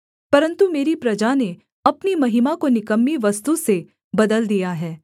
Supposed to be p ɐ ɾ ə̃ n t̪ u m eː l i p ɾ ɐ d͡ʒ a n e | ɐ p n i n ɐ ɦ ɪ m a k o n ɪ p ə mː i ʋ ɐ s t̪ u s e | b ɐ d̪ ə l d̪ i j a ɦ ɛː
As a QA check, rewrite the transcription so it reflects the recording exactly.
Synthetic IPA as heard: p ɐ ɾ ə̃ n t̪ u m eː ɾ i p ɾ ɐ d͡ʒ a n e | ɐ p n i m ɐ ɦ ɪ m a k o n ɪ k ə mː i ʋ ɐ s t̪ u s e | b ɐ d̪ ə l d̪ i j a ɦ ɛː